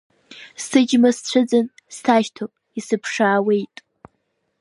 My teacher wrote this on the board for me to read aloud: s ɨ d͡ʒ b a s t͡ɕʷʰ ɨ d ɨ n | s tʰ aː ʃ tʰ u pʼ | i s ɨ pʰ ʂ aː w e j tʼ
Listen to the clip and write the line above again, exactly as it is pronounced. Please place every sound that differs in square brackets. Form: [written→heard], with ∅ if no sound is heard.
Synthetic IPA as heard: s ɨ d͡ʒ [b→m] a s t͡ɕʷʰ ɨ [d→d͡z] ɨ n | s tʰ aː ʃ tʰ [u→o] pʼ | i s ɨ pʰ ʂ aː w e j tʼ